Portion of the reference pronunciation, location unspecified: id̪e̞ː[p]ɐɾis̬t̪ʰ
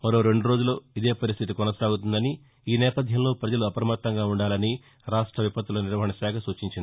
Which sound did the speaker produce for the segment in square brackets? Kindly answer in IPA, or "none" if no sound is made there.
p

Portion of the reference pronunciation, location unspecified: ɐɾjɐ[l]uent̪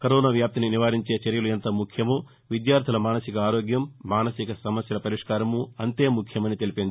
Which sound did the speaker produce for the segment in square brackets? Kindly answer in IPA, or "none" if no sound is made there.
l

